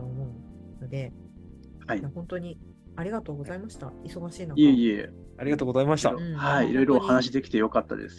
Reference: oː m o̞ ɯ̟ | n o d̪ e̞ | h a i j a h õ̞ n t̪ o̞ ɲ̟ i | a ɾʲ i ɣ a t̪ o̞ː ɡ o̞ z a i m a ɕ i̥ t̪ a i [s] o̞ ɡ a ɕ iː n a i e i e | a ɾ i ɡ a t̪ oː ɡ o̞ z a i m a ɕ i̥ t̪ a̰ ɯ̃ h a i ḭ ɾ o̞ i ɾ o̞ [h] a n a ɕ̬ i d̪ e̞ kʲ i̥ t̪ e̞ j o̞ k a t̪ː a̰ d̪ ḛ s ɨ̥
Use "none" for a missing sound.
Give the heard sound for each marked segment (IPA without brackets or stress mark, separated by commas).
s, h